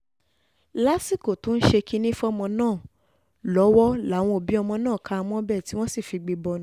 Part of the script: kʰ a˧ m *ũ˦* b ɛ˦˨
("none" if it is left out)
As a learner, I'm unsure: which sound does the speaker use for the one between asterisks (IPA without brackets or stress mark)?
ɔ̃˦